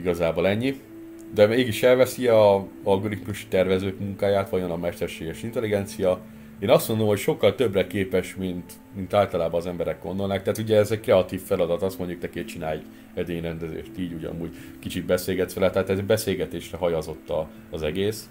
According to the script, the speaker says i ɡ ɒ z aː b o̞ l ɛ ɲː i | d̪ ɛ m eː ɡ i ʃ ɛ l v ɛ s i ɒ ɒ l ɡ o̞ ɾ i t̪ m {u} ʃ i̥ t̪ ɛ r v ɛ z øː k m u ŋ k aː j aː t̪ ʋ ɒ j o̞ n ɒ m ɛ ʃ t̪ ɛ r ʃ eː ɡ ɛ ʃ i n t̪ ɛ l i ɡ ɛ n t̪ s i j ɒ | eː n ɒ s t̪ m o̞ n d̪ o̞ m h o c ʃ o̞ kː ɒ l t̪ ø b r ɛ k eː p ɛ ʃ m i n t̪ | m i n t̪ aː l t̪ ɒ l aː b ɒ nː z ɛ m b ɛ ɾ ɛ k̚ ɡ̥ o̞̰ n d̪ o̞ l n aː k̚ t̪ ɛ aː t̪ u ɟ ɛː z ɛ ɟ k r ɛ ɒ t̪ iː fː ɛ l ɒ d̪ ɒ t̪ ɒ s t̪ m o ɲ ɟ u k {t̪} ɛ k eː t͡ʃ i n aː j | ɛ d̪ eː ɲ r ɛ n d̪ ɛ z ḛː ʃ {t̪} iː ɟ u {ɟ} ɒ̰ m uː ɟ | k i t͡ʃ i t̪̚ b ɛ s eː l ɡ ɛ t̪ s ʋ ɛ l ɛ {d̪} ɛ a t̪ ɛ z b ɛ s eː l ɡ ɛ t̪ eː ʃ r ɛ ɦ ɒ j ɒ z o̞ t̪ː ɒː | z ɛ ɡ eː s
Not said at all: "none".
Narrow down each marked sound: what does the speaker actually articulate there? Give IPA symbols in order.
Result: u, t̪, t̪, ɟ, t̪

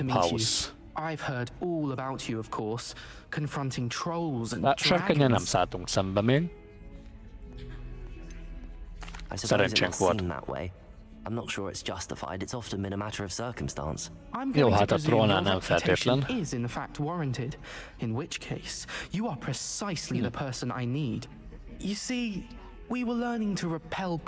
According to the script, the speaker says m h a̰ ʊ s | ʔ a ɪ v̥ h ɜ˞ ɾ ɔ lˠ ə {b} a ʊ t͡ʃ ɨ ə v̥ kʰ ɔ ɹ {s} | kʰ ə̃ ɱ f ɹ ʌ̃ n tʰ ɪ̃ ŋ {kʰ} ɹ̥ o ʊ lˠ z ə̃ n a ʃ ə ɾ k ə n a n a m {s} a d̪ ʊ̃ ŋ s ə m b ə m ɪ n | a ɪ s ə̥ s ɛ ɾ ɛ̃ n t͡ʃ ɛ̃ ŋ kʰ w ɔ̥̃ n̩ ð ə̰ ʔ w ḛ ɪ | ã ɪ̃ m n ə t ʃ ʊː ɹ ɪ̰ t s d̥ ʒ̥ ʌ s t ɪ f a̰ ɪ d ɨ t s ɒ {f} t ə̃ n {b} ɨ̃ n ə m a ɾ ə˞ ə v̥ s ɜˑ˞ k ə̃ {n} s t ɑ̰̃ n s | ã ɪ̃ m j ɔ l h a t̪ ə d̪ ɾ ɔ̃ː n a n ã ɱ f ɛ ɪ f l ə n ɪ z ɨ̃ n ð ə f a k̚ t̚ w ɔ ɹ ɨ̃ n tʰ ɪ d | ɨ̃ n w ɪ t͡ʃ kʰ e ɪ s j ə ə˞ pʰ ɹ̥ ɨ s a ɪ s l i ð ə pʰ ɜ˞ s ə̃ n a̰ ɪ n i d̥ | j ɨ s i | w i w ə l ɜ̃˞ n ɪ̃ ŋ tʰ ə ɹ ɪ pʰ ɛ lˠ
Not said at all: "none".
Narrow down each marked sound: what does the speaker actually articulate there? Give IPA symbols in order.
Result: b, s, tʰ, s, f, b, m

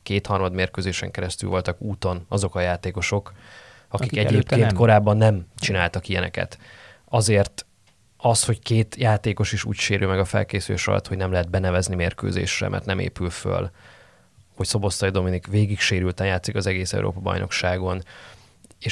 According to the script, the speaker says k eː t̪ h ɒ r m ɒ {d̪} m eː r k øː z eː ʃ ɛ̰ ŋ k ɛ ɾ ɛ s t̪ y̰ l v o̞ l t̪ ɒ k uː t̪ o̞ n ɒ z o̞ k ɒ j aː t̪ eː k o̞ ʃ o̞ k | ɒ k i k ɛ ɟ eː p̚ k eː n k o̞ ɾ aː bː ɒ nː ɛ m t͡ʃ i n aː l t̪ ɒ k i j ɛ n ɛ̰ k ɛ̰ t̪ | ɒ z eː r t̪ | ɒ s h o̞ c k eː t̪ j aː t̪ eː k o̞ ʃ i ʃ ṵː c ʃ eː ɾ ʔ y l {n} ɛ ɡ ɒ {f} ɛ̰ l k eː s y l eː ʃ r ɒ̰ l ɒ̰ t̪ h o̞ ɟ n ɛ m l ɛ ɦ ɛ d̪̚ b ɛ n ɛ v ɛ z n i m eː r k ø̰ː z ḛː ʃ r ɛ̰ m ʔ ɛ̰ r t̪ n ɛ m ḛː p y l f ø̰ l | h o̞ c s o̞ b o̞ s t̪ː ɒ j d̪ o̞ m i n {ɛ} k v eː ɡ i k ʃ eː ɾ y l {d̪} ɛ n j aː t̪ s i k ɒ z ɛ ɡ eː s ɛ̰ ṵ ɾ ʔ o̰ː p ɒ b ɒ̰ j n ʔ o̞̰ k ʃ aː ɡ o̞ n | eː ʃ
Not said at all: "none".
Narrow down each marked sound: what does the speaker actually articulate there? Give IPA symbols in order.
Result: d̪, m, f, i, t̪

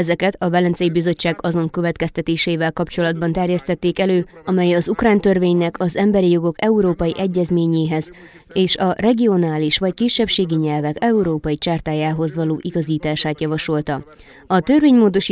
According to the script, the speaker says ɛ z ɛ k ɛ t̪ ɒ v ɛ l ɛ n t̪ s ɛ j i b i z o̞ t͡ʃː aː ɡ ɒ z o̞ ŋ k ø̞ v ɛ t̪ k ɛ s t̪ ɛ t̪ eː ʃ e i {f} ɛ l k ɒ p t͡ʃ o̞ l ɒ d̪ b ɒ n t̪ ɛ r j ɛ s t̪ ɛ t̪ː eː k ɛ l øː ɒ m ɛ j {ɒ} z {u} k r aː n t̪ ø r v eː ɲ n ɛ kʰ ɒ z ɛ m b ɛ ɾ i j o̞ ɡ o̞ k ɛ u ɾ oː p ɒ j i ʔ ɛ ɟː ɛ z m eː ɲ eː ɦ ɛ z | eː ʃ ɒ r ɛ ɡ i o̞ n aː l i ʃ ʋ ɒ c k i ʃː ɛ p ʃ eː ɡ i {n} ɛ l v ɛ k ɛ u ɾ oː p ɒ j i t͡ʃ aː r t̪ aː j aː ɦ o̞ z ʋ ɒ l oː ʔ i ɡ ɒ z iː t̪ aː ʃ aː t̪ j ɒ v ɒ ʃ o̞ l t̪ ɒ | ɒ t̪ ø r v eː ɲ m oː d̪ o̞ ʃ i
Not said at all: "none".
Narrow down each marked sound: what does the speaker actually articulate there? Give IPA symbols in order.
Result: v, ɒ, u, ɲ

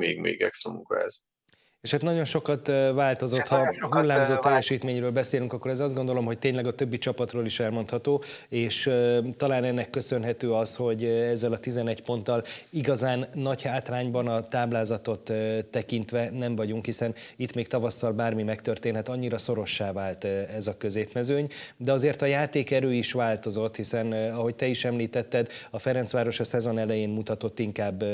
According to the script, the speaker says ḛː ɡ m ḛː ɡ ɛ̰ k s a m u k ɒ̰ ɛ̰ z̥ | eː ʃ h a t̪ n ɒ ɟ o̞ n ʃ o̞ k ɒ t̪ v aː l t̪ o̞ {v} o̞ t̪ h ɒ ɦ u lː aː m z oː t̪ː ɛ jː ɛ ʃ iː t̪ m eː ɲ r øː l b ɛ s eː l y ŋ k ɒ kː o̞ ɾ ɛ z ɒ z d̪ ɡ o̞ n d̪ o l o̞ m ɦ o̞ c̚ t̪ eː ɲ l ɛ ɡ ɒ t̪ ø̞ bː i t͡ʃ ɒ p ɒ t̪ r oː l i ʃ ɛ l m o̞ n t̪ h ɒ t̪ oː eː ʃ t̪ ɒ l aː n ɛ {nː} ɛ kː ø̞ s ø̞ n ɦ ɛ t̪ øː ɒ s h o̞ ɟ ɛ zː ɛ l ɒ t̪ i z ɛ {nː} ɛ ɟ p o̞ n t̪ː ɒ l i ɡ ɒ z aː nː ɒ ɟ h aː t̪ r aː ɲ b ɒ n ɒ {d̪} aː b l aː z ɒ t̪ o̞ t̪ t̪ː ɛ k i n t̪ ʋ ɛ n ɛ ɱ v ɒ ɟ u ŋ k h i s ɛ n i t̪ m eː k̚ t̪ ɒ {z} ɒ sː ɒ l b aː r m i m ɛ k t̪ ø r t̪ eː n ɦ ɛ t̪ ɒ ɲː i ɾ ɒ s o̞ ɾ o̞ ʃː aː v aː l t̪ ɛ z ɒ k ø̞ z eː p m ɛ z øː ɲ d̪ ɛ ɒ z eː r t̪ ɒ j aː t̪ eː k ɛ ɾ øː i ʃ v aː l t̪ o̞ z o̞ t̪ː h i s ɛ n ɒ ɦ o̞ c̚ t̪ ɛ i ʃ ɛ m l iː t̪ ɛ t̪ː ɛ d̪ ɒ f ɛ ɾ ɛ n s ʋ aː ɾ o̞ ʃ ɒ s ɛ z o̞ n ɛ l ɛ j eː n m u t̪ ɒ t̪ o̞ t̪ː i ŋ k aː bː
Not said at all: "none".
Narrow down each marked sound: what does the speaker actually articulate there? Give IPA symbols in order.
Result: z, nː, n, t̪, v

